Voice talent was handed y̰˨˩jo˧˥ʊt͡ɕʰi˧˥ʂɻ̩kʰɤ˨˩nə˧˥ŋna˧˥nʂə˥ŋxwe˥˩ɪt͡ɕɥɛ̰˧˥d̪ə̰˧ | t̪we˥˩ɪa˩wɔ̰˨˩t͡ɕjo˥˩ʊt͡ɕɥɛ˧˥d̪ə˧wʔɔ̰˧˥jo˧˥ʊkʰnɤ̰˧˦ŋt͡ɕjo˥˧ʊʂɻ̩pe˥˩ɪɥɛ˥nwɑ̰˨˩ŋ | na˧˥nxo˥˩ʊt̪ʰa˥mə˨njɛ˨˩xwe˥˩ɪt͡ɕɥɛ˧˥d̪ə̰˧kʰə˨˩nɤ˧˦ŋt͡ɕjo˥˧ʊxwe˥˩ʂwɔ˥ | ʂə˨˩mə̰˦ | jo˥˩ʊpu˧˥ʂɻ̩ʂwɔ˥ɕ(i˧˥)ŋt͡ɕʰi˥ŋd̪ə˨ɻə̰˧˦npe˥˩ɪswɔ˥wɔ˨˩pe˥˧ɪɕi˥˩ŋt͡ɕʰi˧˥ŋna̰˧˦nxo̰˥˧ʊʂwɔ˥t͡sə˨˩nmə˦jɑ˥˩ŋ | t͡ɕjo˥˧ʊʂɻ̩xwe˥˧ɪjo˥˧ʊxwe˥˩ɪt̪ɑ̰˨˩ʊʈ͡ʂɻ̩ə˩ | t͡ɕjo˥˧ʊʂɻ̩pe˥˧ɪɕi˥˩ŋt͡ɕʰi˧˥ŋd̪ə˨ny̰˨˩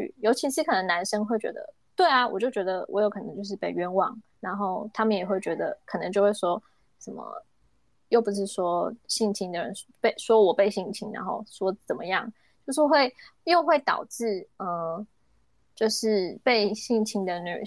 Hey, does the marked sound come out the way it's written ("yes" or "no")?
no